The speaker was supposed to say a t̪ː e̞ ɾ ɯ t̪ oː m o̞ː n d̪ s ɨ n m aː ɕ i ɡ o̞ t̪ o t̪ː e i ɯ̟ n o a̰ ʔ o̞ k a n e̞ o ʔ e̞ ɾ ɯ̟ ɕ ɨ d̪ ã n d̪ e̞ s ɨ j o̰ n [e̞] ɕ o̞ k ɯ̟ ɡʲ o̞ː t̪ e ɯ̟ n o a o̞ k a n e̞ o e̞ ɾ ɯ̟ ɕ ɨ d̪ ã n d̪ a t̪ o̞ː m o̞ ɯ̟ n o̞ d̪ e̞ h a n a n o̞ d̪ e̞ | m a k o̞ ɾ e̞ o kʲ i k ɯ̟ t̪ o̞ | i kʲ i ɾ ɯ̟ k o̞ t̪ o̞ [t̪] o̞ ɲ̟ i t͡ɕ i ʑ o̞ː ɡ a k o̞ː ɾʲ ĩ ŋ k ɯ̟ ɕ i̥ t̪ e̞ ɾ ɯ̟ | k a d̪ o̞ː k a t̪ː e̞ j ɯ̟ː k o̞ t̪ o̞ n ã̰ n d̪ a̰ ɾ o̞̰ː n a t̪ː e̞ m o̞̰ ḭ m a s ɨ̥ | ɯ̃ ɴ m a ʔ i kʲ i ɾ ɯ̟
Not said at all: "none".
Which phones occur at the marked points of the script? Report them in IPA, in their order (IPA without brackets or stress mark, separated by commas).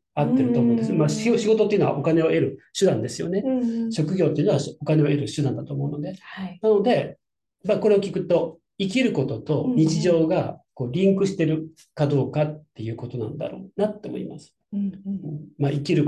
e̞, t̪